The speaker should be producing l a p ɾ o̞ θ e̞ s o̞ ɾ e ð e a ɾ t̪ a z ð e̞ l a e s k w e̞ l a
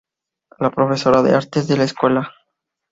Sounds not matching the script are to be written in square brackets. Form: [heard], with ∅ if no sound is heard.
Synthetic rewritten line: l a p ɾ o̞ [f] e̞ s o̞ ɾ [a] ð e a ɾ t̪ [e] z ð e̞ l a e s k w e̞ l a